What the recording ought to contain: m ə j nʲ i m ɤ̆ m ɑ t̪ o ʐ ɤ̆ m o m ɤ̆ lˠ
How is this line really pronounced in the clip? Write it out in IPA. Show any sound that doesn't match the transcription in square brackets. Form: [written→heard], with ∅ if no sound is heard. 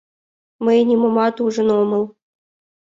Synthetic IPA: m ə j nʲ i m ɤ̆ m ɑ t̪ [o→u] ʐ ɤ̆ [m→n] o m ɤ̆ lˠ